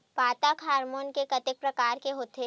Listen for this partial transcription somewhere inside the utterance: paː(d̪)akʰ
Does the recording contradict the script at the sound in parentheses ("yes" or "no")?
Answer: yes